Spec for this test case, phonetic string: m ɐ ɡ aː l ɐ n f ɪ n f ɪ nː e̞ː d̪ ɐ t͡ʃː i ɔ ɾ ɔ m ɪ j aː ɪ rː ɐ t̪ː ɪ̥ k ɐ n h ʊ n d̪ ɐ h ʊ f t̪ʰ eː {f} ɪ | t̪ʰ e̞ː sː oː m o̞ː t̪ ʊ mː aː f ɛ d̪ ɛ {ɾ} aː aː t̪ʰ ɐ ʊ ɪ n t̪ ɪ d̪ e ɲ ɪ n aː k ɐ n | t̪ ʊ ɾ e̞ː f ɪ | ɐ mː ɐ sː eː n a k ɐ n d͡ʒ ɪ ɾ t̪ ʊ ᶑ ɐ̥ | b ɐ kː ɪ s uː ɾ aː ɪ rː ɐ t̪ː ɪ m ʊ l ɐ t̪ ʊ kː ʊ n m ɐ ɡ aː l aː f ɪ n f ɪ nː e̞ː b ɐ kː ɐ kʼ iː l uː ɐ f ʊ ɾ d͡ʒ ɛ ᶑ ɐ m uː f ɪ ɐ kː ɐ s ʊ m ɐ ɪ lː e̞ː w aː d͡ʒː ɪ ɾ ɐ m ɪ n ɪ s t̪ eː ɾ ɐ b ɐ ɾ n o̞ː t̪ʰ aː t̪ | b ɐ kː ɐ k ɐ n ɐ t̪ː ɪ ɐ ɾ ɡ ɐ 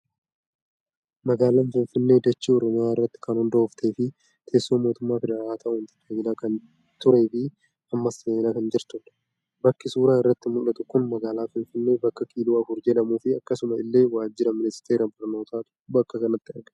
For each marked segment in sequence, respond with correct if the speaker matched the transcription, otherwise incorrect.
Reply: correct, correct

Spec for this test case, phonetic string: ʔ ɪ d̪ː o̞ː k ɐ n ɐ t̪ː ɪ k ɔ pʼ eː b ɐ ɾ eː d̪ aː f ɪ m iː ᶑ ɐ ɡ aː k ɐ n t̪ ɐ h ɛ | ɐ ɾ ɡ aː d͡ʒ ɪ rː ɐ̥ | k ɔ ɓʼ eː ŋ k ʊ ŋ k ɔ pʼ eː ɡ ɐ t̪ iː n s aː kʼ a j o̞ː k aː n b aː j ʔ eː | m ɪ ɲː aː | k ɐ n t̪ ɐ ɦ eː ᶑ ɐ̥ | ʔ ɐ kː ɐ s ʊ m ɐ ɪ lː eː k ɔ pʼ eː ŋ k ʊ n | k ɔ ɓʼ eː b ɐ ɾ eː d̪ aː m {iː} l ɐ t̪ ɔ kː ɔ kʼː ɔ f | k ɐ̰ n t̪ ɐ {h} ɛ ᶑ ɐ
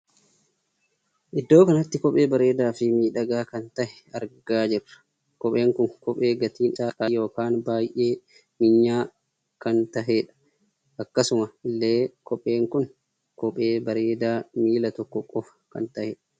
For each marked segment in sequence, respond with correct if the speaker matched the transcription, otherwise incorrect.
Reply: correct, correct

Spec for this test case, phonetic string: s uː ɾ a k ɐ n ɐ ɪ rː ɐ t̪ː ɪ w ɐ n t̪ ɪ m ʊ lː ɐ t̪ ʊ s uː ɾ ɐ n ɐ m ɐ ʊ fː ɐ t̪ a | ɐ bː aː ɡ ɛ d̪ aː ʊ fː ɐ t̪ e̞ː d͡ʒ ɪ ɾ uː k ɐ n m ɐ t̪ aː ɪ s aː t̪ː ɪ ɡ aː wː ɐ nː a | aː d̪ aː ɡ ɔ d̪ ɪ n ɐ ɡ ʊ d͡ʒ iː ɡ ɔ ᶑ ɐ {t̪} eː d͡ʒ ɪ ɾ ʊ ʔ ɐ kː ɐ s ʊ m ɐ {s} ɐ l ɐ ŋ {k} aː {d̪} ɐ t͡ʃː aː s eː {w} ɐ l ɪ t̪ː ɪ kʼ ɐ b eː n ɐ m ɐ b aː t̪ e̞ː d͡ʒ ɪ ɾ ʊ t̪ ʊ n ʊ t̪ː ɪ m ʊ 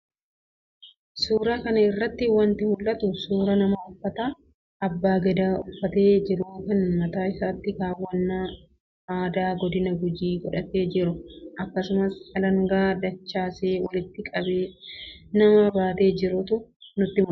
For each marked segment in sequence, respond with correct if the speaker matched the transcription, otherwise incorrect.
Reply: correct, correct, incorrect, correct, correct

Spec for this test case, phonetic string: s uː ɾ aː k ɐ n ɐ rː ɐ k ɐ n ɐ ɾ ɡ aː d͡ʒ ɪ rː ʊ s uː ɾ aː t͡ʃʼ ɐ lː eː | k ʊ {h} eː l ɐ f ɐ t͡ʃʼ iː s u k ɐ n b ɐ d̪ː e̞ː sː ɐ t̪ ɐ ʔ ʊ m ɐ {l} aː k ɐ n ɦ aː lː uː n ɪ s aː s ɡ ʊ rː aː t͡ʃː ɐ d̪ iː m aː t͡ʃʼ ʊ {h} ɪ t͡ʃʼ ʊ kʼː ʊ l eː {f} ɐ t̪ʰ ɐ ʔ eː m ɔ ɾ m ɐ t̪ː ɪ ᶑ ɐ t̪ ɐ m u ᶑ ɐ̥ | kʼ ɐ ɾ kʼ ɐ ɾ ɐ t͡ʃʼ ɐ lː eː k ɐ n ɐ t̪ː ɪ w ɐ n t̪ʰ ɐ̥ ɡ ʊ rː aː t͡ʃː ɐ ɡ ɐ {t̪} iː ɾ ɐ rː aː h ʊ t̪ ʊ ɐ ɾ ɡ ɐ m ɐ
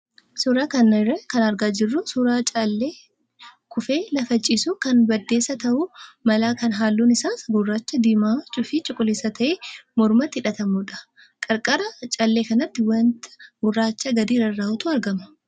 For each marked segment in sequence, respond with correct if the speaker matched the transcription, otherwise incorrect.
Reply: incorrect, correct, incorrect, incorrect, incorrect

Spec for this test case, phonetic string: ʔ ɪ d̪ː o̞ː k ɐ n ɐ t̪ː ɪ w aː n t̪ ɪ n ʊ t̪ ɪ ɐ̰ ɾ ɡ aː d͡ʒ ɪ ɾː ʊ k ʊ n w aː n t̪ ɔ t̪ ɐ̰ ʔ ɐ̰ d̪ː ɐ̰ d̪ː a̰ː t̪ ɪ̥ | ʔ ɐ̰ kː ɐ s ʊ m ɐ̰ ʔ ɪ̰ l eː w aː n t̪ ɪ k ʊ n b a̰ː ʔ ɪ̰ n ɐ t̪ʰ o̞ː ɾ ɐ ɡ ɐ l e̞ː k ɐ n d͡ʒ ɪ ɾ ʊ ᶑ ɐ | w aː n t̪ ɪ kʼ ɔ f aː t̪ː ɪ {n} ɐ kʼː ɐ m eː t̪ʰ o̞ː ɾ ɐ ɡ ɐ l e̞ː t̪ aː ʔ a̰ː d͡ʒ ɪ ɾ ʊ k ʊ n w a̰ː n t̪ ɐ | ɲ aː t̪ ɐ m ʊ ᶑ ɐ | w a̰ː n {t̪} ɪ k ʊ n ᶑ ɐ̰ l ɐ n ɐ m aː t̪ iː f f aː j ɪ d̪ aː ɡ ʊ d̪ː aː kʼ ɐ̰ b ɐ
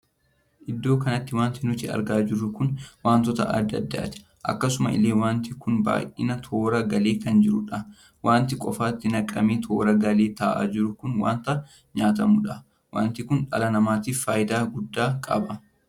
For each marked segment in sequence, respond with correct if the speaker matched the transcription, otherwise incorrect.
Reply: correct, correct

